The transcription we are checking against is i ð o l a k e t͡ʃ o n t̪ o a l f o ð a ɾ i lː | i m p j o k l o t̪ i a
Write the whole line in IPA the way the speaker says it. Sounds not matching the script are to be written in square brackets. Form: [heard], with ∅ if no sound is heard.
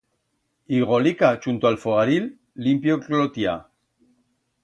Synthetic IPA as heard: i [ɣ] o l [i] k [a] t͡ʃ [u] n t̪ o a l f o [ɣ] a ɾ i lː | i m p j o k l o t̪ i a